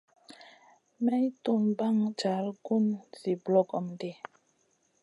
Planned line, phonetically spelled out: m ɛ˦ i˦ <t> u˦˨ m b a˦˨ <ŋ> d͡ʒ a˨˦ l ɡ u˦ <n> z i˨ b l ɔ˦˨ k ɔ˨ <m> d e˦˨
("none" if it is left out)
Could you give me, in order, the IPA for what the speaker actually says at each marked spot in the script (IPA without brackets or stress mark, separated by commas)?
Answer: t, ŋ, n, m